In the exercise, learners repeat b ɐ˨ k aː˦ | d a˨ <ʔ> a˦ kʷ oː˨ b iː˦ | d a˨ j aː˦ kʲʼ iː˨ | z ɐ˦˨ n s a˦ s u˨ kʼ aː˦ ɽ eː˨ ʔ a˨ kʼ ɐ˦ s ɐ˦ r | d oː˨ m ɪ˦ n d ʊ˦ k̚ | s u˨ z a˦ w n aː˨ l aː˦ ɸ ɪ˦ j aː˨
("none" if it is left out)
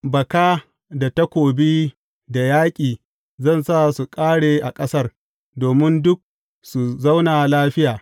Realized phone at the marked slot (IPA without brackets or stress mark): t